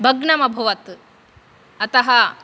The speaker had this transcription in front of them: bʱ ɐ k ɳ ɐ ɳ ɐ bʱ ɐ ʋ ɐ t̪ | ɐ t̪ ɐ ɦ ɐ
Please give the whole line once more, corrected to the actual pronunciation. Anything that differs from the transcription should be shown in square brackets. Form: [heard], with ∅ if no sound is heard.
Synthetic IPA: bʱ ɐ [ɡ] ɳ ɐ [m] ɐ bʱ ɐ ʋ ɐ t̪ | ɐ t̪ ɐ ɦ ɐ

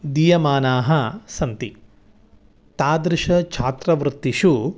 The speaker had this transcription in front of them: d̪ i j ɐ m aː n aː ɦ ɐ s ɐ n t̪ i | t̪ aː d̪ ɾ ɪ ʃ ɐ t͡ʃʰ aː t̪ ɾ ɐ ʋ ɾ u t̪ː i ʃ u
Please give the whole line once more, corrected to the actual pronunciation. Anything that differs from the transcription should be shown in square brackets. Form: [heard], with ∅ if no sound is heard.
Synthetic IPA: d̪ i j ɐ m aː n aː ɦ ɐ s ɐ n t̪ i | t̪ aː d̪ ɾ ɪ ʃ ɐ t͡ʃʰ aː t̪ ɾ ɐ ʋ ɾ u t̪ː i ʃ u

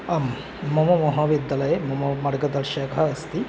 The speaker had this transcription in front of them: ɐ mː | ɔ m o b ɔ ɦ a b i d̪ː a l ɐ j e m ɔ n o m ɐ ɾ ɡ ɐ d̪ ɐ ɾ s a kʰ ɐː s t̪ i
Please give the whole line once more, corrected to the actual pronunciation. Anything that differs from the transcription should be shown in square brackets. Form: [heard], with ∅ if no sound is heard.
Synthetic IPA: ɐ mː | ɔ m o [m] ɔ ɦ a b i d̪ː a l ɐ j e m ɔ [m] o m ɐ ɾ ɡ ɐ d̪ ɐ ɾ [ʃ] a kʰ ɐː s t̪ i

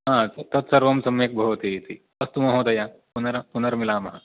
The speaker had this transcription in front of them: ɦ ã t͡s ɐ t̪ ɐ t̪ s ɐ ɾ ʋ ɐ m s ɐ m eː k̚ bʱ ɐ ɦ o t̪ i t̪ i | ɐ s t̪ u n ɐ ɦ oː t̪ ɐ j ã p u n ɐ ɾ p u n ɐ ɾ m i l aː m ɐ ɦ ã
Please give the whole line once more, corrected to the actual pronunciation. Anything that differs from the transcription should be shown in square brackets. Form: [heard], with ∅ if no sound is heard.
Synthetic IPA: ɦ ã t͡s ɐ t̪ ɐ t̪ s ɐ ɾ ʋ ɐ m s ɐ m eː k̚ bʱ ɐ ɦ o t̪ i t̪ i | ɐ s t̪ u [m] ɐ ɦ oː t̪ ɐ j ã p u n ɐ ɾ p u n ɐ ɾ m i l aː m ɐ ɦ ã

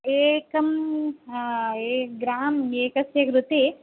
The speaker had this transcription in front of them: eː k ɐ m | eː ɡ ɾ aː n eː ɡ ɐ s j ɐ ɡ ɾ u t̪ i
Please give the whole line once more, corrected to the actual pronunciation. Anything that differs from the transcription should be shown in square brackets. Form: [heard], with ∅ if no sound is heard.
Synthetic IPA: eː k ɐ m | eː ɡ ɾ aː [m] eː [k] ɐ s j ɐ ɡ ɾ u t̪ i

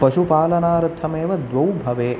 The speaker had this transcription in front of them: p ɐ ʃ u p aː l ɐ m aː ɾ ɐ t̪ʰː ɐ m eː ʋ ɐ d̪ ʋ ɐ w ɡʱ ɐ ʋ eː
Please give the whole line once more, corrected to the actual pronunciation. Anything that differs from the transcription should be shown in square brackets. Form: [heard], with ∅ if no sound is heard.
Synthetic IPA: p ɐ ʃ u p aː l ɐ [n] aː ɾ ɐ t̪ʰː ɐ m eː ʋ ɐ d̪ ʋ ɐ w [bʱ] ɐ ʋ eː

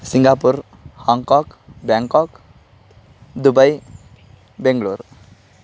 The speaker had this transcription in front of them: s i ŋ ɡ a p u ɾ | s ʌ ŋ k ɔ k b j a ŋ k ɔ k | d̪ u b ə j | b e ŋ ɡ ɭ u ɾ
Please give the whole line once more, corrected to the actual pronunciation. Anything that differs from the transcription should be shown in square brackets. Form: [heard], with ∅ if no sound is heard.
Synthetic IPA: s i ŋ ɡ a p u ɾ | [h] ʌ ŋ k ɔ k b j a ŋ k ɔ k | d̪ u b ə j | b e ŋ ɡ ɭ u ɾ

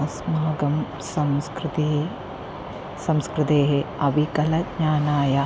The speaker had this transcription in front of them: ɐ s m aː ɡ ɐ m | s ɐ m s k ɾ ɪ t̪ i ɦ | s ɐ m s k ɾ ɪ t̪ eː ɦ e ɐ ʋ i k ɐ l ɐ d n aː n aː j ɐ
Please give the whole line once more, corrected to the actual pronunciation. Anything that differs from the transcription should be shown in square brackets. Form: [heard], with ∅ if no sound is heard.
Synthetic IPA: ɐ s m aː ɡ ɐ m | s ɐ m s k ɾ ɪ t̪ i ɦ | s ɐ m s k ɾ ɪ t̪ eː ɦ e ɐ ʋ i k ɐ l ɐ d [ɲ] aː n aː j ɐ

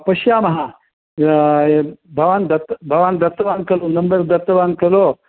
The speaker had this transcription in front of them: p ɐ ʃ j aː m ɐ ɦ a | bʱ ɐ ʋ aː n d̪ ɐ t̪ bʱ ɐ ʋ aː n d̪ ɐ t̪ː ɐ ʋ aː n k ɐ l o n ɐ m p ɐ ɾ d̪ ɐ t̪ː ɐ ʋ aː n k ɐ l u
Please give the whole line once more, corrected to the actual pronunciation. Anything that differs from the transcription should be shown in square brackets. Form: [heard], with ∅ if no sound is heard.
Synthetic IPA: p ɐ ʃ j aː m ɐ ɦ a | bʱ ɐ ʋ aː n d̪ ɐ t̪ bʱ ɐ ʋ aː n d̪ ɐ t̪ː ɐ ʋ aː n k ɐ l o n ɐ m [b] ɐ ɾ d̪ ɐ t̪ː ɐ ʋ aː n k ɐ l [o]

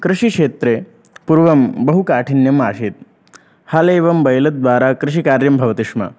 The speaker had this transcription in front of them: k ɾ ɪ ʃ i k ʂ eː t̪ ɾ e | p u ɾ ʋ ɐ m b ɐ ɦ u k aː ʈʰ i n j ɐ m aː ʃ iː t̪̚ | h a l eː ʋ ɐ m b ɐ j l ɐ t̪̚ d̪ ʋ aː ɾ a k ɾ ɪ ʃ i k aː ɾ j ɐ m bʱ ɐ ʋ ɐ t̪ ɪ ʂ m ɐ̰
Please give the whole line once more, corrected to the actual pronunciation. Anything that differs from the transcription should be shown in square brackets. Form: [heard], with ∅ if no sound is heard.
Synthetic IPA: k ɾ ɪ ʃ i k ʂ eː t̪ ɾ e | p u ɾ ʋ ɐ m b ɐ ɦ u k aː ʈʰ i n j ɐ m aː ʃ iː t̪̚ | h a l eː ʋ ɐ m b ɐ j l ɐ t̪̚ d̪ ʋ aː ɾ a k ɾ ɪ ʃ i k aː ɾ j ɐ m bʱ ɐ ʋ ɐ t̪ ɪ ʂ m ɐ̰

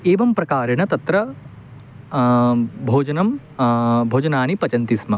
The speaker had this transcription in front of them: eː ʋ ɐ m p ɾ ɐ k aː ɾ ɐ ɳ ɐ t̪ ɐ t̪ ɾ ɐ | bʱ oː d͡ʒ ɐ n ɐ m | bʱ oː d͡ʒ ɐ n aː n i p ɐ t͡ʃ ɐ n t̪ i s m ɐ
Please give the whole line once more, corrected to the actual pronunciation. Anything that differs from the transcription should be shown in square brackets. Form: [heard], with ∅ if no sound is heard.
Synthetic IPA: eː ʋ ɐ m p ɾ ɐ k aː ɾ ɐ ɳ ɐ t̪ ɐ t̪ ɾ ɐ | bʱ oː d͡ʒ ɐ n ɐ m | bʱ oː d͡ʒ ɐ n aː n i p ɐ t͡ʃ ɐ n t̪ i s m ɐ

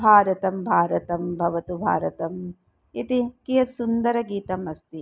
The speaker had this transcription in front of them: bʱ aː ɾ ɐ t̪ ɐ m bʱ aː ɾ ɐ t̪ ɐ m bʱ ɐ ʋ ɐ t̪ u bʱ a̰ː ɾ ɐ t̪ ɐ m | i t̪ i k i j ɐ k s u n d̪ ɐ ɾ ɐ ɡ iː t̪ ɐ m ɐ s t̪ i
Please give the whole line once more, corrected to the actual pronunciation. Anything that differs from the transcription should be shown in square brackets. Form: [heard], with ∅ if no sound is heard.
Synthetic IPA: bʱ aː ɾ ɐ t̪ ɐ m bʱ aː ɾ ɐ t̪ ɐ m bʱ ɐ ʋ ɐ t̪ u bʱ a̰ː ɾ ɐ t̪ ɐ m | i t̪ i k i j ɐ [∅] s u n d̪ ɐ ɾ ɐ ɡ iː t̪ ɐ m ɐ s t̪ i

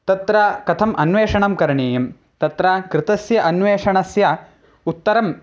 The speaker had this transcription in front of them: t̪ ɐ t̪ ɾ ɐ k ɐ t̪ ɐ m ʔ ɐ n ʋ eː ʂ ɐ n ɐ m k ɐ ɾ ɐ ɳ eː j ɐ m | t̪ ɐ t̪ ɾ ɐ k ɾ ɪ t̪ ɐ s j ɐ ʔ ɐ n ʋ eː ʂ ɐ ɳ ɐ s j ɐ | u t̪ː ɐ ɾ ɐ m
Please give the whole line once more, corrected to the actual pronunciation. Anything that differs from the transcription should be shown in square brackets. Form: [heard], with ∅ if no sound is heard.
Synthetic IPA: t̪ ɐ t̪ ɾ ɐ k ɐ [t̪ʰ] ɐ m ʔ ɐ n ʋ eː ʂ ɐ [ɳ] ɐ m k ɐ ɾ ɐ ɳ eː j ɐ m | t̪ ɐ t̪ ɾ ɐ k ɾ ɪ t̪ ɐ s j ɐ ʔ ɐ n ʋ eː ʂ ɐ ɳ ɐ s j ɐ | u t̪ː ɐ ɾ ɐ m

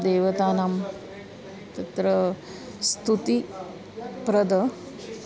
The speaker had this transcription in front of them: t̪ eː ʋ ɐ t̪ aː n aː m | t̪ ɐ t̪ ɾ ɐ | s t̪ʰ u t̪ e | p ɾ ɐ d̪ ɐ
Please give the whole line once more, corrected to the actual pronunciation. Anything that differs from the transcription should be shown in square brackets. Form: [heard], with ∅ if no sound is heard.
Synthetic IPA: [d̪] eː ʋ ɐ t̪ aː n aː m | t̪ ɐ t̪ ɾ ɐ | s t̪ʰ u t̪ [i] | p ɾ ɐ d̪ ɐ

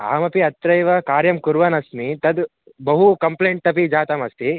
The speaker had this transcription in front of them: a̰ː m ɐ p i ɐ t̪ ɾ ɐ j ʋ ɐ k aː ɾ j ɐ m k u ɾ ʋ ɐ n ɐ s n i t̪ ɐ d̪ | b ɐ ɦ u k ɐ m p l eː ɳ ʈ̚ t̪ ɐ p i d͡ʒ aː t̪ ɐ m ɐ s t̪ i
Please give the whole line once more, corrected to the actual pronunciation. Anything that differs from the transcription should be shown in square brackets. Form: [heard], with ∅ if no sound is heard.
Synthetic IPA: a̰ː m ɐ p i ɐ t̪ ɾ ɐ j ʋ ɐ k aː ɾ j ɐ m k u ɾ ʋ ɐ n ɐ s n i t̪ ɐ d̪ | b ɐ ɦ u k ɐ m p l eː ɳ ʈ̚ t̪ ɐ p i d͡ʒ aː t̪ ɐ m ɐ s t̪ i

